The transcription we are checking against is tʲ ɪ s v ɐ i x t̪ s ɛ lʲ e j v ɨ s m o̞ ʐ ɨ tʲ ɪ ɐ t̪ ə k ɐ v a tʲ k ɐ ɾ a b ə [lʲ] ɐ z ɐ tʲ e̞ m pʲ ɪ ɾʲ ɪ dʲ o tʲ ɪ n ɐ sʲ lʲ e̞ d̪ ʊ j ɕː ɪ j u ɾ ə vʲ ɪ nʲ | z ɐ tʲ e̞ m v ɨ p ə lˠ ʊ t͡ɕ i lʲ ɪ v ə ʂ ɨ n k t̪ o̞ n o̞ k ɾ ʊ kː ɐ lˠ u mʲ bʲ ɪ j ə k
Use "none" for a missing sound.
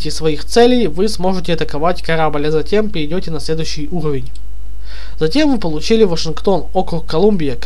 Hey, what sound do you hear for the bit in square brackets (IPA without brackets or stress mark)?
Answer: lʲ